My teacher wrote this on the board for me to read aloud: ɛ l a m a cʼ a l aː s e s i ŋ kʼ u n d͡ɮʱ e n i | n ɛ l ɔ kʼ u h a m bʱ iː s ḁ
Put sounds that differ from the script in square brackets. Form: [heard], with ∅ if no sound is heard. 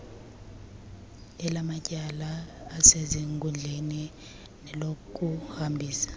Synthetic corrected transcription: ɛ l a m a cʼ a l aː s e [z] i ŋ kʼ u n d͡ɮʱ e n i | n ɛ l [o] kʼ u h a m bʱ iː s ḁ

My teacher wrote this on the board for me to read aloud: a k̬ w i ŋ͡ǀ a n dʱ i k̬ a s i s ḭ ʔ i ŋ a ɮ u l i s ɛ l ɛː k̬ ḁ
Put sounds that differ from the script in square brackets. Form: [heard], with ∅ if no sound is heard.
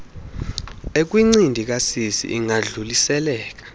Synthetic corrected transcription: [e] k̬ w i ŋ͡ǀ [i] n dʱ i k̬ a s i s ḭ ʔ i ŋ a ɮ u l i s ɛ l ɛː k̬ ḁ

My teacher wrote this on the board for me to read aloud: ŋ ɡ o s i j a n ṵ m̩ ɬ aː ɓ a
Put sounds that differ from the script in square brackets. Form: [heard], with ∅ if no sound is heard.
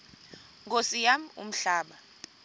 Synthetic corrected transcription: ŋ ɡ o s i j a [m] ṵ m̩ ɬ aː ɓ a

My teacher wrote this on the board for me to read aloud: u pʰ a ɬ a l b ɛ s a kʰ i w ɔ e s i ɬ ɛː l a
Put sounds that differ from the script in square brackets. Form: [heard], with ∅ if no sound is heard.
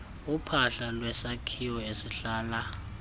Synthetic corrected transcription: u pʰ a ɬ a l [w] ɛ s a kʰ i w ɔ e s i ɬ [aː] l a

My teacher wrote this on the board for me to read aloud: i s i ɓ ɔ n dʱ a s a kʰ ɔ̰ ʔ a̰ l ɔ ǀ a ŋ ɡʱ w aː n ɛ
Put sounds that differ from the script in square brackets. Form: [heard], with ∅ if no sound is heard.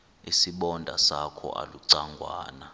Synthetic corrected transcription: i s i ɓ ɔ n dʱ a s a kʰ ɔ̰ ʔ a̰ l [u] ǀ a ŋ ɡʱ w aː n [a]

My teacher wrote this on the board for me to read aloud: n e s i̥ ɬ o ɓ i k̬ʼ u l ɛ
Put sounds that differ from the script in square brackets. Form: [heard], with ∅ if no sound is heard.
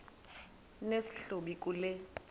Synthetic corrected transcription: n e s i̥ ɬ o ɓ i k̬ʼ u l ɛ

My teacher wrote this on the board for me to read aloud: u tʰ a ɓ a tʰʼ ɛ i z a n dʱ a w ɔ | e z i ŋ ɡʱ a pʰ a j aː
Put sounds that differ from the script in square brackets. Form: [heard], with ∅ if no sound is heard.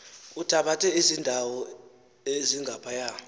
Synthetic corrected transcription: u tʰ a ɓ a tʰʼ ɛ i z [i] n dʱ a w ɔ | e z i ŋ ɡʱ a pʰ a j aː

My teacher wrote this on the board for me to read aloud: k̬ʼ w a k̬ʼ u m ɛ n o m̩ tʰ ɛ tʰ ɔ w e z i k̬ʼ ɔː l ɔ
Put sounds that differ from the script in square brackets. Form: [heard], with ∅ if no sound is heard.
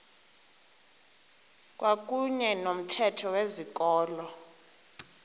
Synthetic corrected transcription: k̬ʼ w a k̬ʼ u [ɲ] ɛ n o m̩ tʰ ɛ tʰ ɔ w e z i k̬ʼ ɔː l ɔ

